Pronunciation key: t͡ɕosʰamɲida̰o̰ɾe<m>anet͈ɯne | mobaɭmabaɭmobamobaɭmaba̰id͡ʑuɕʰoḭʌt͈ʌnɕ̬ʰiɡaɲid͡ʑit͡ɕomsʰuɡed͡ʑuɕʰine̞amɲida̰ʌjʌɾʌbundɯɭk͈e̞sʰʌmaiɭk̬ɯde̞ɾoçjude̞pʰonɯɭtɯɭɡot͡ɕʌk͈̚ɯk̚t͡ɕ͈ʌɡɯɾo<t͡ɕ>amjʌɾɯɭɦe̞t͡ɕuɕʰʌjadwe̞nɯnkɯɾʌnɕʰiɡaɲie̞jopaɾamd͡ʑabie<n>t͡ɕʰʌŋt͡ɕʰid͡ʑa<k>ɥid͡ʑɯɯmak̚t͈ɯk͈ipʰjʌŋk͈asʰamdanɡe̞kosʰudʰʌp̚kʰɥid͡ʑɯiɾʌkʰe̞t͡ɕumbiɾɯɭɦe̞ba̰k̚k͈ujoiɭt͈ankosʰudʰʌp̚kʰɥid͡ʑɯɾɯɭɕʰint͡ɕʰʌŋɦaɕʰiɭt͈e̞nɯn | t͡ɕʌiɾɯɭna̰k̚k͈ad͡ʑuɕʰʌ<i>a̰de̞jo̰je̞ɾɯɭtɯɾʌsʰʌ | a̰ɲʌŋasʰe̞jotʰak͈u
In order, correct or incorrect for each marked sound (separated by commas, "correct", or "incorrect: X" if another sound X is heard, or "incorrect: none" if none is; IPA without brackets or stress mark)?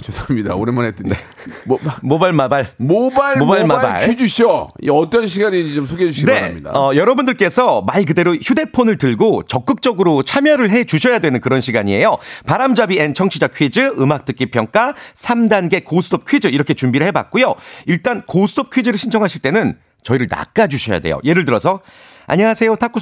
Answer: correct, incorrect: t͡ɕʰ, correct, incorrect: kʰ, incorrect: j